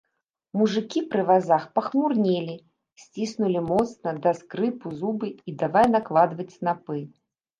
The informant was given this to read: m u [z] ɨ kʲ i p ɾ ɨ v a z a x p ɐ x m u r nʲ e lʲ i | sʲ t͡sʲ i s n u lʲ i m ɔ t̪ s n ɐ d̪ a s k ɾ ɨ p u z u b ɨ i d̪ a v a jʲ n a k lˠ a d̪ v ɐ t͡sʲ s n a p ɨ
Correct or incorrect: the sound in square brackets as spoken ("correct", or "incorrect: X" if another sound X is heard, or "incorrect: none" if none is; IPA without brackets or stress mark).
incorrect: ʐ